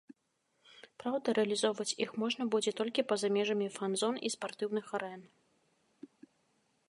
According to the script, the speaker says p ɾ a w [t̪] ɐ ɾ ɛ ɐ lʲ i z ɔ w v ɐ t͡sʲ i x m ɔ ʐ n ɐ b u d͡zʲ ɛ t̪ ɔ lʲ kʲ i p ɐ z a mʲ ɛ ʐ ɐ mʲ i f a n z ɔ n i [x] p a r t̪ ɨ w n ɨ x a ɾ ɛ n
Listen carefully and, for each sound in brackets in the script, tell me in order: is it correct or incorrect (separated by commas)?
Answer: incorrect, incorrect